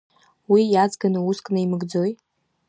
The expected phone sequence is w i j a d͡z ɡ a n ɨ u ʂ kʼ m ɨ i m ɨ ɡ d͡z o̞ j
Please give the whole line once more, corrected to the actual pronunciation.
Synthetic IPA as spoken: w i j a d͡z ɡ a n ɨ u s kʼ n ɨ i m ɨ ɡ d͡z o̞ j